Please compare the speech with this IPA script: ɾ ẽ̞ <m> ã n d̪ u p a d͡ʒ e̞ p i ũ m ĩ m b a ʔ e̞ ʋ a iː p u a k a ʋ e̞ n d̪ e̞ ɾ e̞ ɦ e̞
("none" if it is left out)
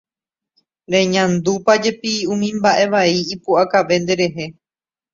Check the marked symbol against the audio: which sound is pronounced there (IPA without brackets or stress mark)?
ɲ